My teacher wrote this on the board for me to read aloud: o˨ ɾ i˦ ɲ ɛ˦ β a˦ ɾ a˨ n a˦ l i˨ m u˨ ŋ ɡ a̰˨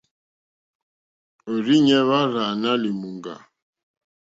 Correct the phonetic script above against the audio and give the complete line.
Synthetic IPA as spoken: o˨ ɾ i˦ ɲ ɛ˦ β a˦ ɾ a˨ n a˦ l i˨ m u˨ ŋ ɡ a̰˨